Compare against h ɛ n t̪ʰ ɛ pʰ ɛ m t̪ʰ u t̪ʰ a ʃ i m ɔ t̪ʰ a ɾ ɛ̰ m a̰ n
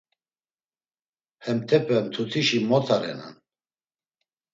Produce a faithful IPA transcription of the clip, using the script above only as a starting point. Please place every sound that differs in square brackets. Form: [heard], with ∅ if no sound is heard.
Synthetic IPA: h ɛ [m] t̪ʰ ɛ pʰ ɛ m t̪ʰ u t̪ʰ [i] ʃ i m ɔ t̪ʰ a ɾ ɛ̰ [n] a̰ n